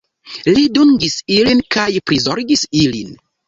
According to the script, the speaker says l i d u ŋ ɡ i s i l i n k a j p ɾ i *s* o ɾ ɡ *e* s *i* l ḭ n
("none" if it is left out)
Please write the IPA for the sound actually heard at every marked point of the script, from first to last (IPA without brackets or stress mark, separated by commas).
z, i, i